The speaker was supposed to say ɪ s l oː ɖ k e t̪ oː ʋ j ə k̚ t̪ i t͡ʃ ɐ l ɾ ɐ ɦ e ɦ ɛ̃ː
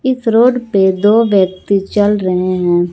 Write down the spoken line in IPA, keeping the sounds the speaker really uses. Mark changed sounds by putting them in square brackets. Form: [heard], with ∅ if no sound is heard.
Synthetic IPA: ɪ s [ɾ] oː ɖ [p] e [d̪] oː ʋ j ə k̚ t̪ i t͡ʃ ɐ l ɾ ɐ ɦ e ɦ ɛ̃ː